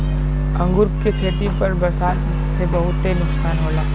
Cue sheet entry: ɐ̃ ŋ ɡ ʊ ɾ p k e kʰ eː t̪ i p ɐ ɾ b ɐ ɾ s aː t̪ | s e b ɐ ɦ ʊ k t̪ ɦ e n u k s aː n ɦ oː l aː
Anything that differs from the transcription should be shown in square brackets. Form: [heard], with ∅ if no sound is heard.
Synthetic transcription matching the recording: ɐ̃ ŋ ɡ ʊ ɾ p k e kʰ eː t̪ i p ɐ ɾ b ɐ ɾ s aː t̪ | s e b ɐ ɦ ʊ [∅] t̪ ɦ e n [ʊ] k s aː n ɦ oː l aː

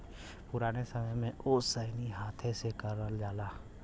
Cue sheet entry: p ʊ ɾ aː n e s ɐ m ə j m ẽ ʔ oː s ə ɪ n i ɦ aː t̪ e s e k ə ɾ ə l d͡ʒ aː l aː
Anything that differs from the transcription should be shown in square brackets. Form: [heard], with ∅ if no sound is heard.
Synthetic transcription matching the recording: p ʊ ɾ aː n e s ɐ m ə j m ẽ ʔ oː s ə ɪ n i ɦ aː [t̪ʰ] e s e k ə ɾ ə l d͡ʒ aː l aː

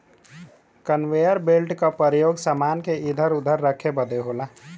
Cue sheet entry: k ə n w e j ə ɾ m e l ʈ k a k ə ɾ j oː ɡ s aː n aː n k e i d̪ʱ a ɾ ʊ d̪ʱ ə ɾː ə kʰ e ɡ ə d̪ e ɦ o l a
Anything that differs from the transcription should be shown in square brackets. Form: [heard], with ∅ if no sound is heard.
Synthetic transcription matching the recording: k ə n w e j ə ɾ [b] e l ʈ k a [p] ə ɾ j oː ɡ s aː [m] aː n k e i d̪ʱ [ə] ɾ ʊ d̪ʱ ə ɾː ə kʰ e [b] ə d̪ e ɦ o l a

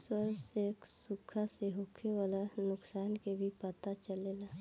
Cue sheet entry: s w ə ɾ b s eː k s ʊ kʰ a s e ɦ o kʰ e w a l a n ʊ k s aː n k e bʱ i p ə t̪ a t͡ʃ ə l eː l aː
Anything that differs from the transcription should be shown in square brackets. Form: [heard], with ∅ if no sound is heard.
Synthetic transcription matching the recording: s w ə ɾ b s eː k s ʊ kʰ a s e ɦ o kʰ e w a l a n ʊ k s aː n k e bʱ i p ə t̪ a t͡ʃ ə l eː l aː

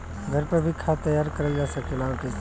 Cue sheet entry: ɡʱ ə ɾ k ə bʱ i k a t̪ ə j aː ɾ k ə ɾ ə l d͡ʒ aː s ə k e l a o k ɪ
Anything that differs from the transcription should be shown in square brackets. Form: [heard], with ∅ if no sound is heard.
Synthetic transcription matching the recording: ɡʱ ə ɾ [p] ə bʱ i [kʰ] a t̪ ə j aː ɾ k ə ɾ ə l d͡ʒ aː s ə k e l a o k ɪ

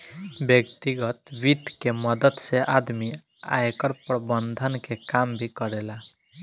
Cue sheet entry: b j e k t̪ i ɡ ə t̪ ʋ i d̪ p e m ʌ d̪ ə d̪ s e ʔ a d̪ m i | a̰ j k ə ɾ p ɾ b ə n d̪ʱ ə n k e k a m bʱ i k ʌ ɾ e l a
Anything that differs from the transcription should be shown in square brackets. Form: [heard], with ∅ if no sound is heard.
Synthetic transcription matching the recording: b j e k t̪ i ɡ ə t̪ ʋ i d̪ [k] e m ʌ d̪ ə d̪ s e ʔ a d̪ m i | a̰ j k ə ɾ p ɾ b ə n d̪ʱ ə n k e k a m bʱ i k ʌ ɾ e l a

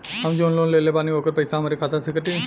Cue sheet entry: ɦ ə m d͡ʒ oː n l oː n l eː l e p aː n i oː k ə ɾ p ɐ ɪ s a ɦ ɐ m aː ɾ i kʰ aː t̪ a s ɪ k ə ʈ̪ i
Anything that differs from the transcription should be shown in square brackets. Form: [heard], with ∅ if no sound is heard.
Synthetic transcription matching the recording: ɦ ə m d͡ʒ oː n l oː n l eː l e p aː n i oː k ə ɾ p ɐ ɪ s a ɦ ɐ m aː ɾ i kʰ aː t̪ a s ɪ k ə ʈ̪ i

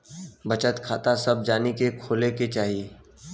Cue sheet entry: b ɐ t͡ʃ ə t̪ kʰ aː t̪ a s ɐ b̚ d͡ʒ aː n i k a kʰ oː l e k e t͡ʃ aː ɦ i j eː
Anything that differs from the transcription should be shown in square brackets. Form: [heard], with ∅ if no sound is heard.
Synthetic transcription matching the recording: b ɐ t͡ʃ ə t̪ kʰ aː t̪ a s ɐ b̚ d͡ʒ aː n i k [e] kʰ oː l e k e t͡ʃ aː ɦ i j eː

